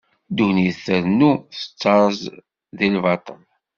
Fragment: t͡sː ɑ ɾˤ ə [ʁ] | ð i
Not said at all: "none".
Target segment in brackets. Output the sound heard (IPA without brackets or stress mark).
z